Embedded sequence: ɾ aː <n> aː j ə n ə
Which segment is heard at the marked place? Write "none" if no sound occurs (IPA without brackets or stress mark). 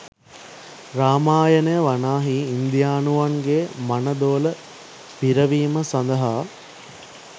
m